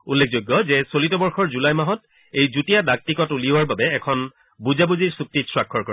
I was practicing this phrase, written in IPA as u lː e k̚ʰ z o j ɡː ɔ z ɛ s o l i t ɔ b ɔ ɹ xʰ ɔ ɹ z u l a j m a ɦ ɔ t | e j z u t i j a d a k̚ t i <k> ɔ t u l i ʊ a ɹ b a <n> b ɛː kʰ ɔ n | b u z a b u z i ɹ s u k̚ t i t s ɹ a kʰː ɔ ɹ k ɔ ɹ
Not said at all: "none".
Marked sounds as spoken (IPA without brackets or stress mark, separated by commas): k, none